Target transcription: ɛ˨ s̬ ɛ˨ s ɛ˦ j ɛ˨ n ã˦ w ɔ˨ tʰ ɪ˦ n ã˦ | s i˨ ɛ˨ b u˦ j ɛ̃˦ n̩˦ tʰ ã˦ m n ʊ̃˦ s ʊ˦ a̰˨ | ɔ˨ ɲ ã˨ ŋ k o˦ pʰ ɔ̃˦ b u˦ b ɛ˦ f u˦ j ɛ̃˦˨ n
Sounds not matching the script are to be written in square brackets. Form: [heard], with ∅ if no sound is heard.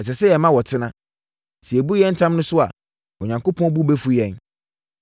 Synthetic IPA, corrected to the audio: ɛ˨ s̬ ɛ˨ s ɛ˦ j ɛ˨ [m] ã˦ w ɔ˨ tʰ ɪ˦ n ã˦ | s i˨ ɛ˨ b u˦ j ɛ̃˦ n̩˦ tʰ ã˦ m n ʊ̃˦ s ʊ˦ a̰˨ | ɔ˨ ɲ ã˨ ŋ k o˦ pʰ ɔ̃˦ b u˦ b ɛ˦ f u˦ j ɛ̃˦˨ n